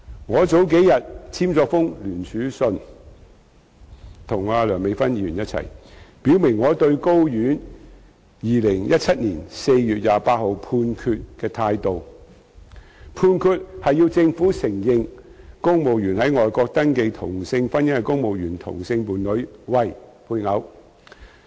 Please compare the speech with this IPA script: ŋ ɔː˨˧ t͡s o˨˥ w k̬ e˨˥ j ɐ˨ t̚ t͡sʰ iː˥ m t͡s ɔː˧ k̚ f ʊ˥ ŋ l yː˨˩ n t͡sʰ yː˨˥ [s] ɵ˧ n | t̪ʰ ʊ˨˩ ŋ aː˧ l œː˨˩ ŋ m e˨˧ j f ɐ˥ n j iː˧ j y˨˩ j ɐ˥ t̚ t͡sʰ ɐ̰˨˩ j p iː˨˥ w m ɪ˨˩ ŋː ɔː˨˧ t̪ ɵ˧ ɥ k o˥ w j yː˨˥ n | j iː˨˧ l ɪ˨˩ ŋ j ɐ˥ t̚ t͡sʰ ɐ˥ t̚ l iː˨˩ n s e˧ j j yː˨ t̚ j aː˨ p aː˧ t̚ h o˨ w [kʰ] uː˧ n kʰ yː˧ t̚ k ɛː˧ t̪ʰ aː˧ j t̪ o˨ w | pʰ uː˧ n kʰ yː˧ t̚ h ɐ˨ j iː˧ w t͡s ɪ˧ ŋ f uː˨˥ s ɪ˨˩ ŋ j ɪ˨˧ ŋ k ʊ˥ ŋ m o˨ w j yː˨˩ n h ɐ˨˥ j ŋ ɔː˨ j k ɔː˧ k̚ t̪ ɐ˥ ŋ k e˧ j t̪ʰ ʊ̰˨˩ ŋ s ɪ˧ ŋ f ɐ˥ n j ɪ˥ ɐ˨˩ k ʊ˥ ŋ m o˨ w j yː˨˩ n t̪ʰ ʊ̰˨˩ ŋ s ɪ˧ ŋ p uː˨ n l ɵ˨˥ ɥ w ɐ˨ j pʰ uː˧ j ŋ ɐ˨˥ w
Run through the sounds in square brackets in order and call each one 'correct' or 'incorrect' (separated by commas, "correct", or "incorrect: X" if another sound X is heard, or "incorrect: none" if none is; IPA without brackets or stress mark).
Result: correct, incorrect: pʰ